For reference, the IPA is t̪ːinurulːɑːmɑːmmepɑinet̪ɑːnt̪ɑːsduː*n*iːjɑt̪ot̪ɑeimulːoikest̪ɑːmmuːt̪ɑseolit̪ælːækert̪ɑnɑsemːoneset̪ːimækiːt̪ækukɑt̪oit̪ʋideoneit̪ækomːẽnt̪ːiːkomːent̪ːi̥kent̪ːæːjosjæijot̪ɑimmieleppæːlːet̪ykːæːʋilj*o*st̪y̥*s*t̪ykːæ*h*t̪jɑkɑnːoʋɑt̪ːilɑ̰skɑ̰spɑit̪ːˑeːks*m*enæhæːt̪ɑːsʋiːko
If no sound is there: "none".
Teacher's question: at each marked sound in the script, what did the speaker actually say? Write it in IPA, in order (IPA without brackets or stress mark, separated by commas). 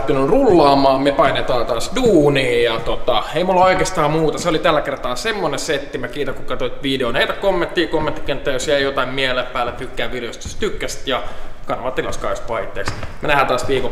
n, o, s, s, m